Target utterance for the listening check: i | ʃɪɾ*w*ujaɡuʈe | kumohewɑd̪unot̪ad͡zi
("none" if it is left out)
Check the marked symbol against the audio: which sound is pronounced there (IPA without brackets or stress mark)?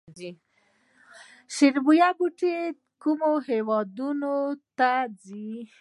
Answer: b